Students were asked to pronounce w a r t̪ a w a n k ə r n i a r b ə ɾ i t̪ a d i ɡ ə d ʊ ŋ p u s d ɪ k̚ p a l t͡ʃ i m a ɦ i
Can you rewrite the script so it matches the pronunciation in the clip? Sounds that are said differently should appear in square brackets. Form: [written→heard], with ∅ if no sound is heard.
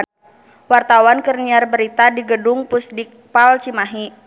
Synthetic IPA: w a r t̪ a w a n k ə r n i a r b ə ɾ i t̪ a d i ɡ ə d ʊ ŋ p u s d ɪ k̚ p a l t͡ʃ i m a ɦ i